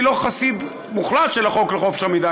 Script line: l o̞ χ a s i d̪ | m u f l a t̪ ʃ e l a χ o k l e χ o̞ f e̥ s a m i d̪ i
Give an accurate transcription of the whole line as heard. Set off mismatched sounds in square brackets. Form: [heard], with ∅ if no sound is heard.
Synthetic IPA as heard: l o̞ χ a s i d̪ | m u [χ] l a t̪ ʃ e l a χ o k l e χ o̞ f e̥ [ʃ] a m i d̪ [a]